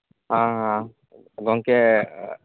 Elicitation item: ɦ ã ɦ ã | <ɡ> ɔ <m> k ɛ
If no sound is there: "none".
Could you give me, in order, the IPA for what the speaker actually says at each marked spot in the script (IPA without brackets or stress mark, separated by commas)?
ɡ, ŋ